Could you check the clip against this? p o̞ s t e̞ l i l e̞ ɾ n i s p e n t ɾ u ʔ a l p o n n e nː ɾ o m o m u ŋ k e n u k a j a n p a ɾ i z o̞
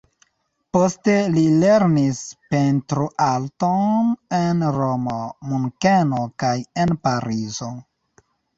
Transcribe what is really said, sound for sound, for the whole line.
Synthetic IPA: p o̞ s t e̞ l i l e̞ ɾ n i s p e n t ɾ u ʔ a l t o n n e n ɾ o m o m u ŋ k e n o k a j e n p a ɾ i z o̞